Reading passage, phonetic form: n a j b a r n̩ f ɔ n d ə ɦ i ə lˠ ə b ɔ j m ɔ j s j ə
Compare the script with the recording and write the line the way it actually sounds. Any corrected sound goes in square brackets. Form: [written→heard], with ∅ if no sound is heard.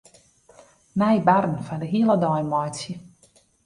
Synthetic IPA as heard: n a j b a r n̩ f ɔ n d ə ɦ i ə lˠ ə [b→d] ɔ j m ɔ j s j ə